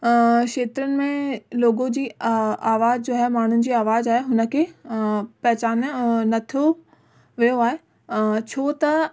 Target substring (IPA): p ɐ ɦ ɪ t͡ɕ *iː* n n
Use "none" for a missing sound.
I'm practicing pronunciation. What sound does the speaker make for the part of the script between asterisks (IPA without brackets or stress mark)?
aː